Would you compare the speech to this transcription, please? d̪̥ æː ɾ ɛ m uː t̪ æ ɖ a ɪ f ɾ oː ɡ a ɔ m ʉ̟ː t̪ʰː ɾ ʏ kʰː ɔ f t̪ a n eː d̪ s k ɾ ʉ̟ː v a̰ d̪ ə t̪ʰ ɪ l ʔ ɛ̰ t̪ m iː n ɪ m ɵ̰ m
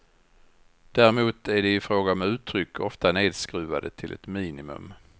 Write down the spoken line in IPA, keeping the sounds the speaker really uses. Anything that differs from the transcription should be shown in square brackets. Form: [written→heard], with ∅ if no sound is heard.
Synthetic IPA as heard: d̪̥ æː ɾ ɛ m uː t̪ æ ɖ [a→ɛ] ɪ f ɾ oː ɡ a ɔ m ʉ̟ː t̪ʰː ɾ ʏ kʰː ɔ f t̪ a n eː d̪ s k ɾ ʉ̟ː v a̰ d̪ ə t̪ʰ ɪ l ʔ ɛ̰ t̪ m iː n ɪ m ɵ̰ m